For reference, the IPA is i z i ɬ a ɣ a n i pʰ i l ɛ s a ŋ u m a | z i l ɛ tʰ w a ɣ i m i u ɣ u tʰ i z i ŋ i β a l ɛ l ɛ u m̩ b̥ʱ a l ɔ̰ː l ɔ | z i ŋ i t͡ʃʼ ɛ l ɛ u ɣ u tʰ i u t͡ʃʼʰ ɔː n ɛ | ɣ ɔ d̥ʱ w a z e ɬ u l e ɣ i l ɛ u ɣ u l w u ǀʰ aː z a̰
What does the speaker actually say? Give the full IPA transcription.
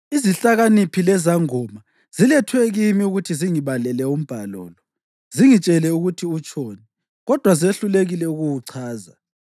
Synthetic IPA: i z i ɬ a ɣ a n i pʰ i l ɛ z a ŋ ɔ m a | z i l ɛ tʰ w ɛ ɣ i m i u ɣ u tʰ i z i ŋ i β a l ɛ l ɛ u m̩ b̥ʱ a l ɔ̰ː l ɔ | z i ŋ i t͡ʃʼ ɛ l ɛ u ɣ u tʰ i u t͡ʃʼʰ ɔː n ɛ | ɣ ɔ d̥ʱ w a z e ɬ u l e ɣ i l ɛ u ɣ u w u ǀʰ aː z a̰